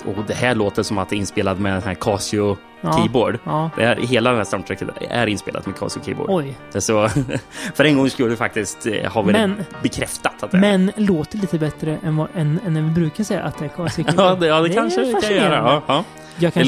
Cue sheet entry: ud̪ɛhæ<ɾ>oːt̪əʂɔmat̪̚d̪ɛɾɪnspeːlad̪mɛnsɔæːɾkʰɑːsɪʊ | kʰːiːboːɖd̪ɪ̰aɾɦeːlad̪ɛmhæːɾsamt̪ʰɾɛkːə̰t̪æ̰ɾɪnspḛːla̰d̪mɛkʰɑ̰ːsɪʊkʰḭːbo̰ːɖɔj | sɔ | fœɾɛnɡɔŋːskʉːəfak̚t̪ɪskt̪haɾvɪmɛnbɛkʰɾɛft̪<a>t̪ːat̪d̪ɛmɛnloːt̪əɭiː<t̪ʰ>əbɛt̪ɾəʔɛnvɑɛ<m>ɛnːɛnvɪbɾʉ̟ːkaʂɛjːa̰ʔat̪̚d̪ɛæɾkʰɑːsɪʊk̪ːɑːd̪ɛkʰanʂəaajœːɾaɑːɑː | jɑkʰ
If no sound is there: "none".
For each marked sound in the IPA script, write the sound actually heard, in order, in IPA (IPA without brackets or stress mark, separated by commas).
ɭ, a, t̪, n